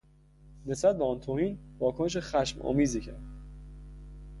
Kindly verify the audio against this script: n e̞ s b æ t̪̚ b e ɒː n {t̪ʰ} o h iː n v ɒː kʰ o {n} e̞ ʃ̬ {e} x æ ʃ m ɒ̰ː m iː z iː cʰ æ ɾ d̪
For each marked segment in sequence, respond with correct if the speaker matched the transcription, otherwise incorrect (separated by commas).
correct, correct, correct